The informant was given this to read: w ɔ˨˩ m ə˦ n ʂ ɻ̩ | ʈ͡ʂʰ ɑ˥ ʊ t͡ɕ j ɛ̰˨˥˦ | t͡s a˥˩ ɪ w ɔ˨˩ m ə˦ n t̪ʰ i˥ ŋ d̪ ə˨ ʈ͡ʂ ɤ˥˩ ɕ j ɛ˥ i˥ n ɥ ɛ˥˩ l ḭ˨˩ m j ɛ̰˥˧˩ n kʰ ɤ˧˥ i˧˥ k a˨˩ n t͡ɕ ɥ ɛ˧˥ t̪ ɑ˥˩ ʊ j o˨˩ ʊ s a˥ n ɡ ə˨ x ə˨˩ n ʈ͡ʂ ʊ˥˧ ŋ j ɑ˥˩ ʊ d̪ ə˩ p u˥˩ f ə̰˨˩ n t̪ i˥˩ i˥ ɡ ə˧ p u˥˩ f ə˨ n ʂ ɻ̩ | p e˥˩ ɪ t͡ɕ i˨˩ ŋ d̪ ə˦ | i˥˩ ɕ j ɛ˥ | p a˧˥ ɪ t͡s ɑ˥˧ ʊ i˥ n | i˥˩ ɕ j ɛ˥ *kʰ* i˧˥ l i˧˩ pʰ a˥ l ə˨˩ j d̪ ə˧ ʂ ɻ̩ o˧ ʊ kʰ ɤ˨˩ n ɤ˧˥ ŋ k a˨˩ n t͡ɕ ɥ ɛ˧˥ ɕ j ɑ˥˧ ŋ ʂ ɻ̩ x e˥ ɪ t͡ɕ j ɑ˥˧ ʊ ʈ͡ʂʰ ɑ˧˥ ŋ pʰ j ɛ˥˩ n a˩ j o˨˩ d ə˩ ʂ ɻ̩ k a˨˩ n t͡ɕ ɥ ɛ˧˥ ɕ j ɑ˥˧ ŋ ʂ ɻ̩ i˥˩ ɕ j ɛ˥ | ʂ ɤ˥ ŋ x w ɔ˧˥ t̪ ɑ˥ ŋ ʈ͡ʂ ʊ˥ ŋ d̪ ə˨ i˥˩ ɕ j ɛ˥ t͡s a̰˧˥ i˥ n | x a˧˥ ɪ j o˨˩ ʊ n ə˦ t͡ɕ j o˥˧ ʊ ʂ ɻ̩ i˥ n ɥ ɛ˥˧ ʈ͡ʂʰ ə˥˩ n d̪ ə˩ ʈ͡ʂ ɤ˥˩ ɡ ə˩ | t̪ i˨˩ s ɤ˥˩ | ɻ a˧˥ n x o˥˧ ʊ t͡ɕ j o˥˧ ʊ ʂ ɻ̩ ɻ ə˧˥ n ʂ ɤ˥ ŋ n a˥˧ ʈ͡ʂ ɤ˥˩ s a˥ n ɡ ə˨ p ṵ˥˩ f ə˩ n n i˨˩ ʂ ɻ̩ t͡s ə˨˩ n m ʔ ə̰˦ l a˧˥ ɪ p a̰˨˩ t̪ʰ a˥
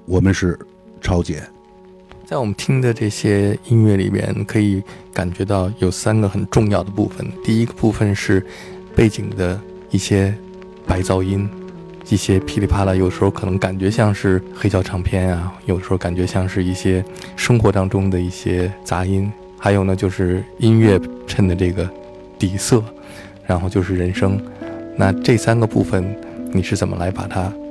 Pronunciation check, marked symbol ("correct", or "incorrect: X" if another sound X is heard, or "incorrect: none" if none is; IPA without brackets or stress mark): incorrect: pʰ